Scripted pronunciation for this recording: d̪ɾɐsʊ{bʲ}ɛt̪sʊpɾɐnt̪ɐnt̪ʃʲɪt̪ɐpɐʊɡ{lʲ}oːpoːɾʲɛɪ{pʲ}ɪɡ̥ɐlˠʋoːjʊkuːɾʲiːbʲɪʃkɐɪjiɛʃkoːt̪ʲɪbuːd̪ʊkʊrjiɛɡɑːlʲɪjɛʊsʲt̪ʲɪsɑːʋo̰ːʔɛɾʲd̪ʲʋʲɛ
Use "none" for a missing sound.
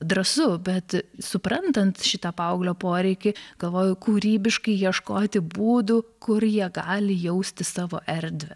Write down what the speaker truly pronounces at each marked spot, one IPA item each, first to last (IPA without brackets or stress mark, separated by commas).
bʲ, lʲ, kʲ